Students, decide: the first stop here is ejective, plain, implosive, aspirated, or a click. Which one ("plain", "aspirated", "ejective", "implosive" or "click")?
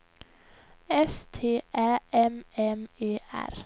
aspirated